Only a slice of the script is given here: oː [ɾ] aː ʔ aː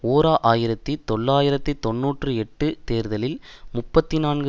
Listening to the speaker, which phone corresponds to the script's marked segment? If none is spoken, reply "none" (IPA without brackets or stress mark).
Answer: ɾ